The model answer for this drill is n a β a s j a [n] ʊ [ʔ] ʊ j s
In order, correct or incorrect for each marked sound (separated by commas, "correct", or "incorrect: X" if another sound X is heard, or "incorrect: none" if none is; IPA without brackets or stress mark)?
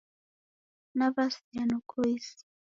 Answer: correct, incorrect: k